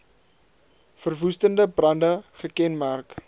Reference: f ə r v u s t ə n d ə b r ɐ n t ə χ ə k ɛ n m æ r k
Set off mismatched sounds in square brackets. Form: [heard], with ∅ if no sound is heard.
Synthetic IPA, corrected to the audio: f ə r v u s t ə n d ə b r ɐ n [d] ə χ ə k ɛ n m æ r k